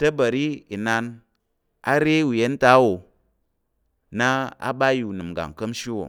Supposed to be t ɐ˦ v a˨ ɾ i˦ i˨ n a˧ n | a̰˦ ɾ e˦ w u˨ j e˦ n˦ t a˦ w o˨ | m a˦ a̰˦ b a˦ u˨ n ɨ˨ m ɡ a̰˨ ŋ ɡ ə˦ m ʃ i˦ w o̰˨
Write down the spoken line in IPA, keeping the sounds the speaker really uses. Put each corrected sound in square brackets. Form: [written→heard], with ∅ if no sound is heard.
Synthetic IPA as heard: t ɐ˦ [v→b] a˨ ɾ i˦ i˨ n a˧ n | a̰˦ ɾ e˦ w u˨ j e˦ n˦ t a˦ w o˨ | [m→n] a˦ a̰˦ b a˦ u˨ n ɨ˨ m ɡ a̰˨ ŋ [ɡ→k] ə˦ m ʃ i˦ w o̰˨